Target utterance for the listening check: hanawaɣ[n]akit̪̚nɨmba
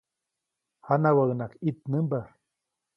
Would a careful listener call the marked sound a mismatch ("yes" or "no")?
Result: no